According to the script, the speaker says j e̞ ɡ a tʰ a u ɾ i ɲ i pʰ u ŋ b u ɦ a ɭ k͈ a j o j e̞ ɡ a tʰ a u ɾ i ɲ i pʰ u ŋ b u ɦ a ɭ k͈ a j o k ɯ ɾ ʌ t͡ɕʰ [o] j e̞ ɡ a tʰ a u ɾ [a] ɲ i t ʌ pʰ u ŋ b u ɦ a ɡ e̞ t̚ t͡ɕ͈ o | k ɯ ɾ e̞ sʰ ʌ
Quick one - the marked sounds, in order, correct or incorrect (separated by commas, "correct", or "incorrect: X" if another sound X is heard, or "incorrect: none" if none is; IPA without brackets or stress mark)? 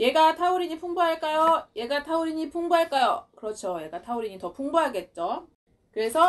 correct, incorrect: i